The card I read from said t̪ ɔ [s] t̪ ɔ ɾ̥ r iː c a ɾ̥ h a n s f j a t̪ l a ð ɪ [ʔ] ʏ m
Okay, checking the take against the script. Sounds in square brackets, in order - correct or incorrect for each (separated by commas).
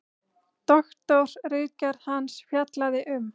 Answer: incorrect, correct